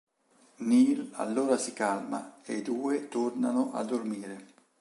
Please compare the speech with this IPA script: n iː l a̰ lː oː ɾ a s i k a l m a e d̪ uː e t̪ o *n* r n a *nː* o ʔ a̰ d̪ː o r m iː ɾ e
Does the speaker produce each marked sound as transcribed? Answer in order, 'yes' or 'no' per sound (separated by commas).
no, no